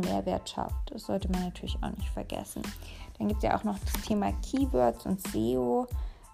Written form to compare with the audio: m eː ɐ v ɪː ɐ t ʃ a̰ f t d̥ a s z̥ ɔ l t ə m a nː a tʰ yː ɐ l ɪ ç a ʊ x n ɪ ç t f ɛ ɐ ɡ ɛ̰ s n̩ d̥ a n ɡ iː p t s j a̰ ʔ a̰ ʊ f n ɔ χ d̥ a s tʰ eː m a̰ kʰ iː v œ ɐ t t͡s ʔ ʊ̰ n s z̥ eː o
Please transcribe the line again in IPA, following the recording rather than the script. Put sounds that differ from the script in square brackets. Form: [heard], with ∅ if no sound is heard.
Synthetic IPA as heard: m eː ɐ v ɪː ɐ t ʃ a̰ f t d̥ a s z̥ ɔ l t ə m a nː a tʰ yː ɐ l ɪ ç a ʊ x n ɪ ç t f ɛ ɐ ɡ ɛ̰ s n̩ d̥ a n ɡ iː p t s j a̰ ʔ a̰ ʊ [x] n ɔ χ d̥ a s tʰ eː m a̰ kʰ iː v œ ɐ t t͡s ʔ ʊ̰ n [t] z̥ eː o